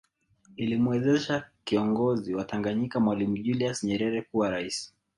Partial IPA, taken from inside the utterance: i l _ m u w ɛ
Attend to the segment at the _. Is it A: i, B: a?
A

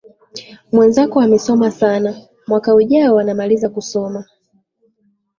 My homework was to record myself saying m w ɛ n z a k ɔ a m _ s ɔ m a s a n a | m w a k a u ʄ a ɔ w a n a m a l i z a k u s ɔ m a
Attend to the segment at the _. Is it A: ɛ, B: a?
A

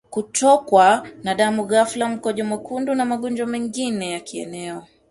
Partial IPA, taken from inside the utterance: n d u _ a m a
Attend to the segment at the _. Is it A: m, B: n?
B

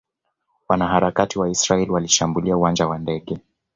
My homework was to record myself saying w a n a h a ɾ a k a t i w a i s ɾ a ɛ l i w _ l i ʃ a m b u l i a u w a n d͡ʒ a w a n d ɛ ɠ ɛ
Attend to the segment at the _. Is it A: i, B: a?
B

